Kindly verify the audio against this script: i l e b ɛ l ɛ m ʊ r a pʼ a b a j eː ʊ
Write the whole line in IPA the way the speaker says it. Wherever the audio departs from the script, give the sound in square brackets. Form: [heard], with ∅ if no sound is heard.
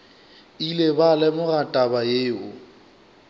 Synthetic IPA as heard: i l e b [a] l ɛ m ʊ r a [tʼ] a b a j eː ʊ